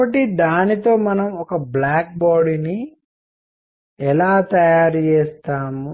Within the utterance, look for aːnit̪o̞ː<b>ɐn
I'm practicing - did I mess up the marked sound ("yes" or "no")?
yes